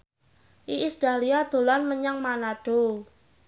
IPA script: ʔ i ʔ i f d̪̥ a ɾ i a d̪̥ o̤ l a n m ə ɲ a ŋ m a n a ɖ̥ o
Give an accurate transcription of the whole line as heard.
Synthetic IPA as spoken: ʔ i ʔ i s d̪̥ a l i a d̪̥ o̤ l a n m ə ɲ a ŋ m a n a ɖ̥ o